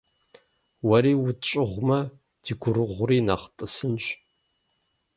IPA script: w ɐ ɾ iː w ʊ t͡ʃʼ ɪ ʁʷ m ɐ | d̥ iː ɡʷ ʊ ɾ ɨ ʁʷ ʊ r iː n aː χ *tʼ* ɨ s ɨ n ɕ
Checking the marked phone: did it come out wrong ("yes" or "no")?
no